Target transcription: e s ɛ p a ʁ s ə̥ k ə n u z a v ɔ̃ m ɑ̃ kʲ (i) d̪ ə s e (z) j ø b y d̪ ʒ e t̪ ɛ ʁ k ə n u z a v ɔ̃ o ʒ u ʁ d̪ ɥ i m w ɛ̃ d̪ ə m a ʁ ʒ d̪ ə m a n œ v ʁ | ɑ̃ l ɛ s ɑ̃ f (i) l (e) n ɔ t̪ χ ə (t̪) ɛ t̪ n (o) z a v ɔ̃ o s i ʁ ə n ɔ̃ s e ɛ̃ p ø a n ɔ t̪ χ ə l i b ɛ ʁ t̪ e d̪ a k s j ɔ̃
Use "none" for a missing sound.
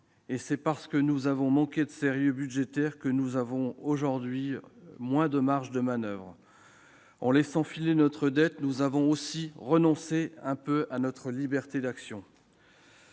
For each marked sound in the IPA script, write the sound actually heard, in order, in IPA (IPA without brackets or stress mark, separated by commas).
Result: e, ʁ, i, e, d̪, u